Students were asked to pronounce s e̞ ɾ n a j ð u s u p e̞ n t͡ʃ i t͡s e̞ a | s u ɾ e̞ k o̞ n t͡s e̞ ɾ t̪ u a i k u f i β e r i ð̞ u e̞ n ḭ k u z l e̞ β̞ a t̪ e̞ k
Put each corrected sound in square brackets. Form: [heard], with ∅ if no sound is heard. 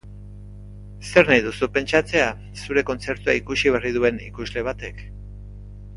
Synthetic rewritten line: s e̞ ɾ n a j ð u s u p e̞ n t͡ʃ [a] t͡s e̞ a | s u ɾ e̞ k o̞ n t͡s e̞ ɾ t̪ u a i k u [s] i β e r i ð̞ u e̞ n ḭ k u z l e̞ β̞ a t̪ e̞ k